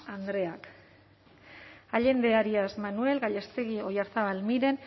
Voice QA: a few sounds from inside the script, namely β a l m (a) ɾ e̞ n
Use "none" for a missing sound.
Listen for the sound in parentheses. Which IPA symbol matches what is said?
i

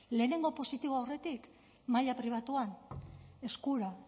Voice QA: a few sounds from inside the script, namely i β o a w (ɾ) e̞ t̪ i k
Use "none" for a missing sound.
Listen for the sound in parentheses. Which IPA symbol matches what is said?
r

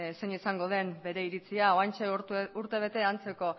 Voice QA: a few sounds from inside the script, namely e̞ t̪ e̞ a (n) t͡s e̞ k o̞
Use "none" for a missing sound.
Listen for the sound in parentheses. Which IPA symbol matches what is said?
n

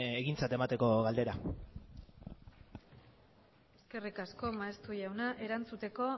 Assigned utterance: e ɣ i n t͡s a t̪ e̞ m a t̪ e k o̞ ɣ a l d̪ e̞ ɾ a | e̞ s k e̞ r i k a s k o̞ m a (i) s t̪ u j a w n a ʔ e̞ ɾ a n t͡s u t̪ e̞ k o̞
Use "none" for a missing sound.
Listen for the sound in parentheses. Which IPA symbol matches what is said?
e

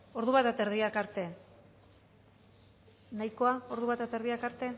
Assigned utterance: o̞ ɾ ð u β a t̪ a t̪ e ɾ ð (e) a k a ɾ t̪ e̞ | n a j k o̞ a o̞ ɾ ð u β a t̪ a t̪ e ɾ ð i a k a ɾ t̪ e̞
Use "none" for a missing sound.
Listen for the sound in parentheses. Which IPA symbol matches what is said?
i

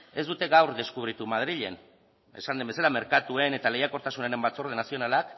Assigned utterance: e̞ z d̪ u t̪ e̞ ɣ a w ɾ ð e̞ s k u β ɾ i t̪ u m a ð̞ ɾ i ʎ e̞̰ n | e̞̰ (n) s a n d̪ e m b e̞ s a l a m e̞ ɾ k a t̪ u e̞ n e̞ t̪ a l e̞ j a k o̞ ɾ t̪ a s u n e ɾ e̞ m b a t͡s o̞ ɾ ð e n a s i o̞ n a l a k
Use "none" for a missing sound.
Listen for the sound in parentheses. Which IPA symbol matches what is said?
none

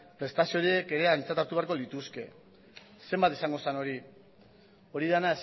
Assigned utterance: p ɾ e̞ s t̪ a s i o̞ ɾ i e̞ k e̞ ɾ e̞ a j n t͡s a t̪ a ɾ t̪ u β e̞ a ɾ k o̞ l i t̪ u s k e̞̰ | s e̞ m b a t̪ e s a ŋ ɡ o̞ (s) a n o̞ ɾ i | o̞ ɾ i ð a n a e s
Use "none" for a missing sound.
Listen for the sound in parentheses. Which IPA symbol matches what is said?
s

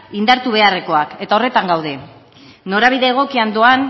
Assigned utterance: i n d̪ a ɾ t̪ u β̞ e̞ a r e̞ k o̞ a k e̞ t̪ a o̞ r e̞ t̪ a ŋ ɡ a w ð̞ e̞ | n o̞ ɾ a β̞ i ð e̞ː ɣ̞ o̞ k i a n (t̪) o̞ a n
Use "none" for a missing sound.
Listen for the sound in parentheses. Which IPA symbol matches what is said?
d̪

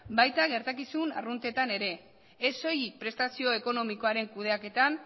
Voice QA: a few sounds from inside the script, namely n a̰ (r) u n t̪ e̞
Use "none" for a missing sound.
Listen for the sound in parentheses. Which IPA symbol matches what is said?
r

